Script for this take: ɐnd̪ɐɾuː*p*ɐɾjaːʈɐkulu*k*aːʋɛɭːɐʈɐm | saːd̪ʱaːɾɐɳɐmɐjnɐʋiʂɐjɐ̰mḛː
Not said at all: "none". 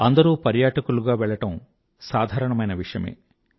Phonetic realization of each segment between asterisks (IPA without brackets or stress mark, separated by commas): p, ɡ